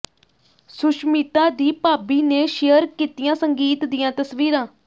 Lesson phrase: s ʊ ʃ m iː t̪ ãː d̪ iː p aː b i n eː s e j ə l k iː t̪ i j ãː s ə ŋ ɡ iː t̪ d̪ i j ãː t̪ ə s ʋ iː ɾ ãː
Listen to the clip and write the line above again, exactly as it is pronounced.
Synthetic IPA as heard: s ʊ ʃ m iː t̪ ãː d̪ iː p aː b iː n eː ʃ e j ə ɾ k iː t̪ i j ãː s ə ŋ ɡ iː t̪ d̪ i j ãː t̪ ə s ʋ iː ɾ ãː